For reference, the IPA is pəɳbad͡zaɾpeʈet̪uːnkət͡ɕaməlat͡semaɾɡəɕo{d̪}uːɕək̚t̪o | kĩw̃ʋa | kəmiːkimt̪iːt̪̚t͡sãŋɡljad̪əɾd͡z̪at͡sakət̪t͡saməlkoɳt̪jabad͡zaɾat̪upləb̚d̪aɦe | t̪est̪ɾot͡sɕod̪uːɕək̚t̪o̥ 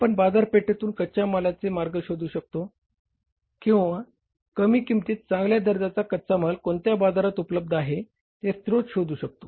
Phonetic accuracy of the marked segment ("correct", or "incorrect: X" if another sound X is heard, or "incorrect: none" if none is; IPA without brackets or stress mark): correct